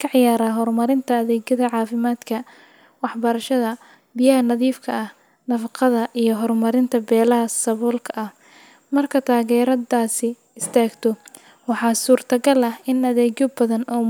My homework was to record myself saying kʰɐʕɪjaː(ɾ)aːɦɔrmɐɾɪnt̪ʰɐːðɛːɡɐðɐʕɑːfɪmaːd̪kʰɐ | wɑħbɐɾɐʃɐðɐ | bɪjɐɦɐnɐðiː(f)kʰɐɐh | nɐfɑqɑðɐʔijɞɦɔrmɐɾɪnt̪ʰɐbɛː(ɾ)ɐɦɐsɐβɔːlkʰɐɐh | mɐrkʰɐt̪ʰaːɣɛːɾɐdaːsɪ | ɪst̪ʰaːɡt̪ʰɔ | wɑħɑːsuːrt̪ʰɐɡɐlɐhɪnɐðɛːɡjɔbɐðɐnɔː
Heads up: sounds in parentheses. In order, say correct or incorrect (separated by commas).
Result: correct, correct, incorrect